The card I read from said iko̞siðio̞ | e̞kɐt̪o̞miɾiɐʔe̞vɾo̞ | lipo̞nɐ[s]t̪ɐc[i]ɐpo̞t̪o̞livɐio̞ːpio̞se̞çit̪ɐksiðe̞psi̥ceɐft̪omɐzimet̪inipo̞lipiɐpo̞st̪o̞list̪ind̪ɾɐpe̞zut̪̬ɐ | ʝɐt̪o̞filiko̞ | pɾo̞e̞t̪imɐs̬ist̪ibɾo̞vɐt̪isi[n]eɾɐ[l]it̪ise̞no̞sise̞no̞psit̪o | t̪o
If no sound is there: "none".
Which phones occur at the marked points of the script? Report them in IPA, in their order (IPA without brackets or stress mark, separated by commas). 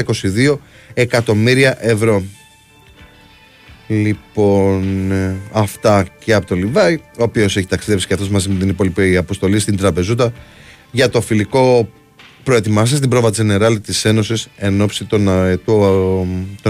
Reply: f, e, n, l